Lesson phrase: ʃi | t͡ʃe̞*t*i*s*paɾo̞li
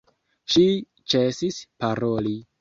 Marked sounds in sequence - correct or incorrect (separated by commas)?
incorrect, correct